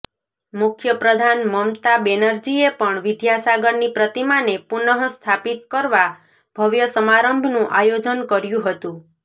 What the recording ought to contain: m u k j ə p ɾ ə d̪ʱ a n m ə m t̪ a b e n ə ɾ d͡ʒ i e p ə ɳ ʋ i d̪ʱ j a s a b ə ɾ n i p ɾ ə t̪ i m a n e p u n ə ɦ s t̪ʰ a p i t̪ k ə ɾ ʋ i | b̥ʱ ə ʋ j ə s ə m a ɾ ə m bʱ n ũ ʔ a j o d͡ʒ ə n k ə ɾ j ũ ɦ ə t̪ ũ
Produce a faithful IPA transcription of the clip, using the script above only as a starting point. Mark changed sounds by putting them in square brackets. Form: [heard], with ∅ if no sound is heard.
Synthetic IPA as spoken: m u [kʰ] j ə p ɾ ə d̪ʱ a n m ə m t̪ a b e n ə ɾ d͡ʒ i e p ə ɳ ʋ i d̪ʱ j a s a [ɡ] ə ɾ n i p ɾ ə t̪ i m a n e p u n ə ɦ s t̪ʰ a p i t̪ k ə ɾ ʋ [a] | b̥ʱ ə ʋ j ə s ə m a ɾ ə m bʱ n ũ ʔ a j o d͡ʒ ə n k ə ɾ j ũ ɦ ə t̪ ũ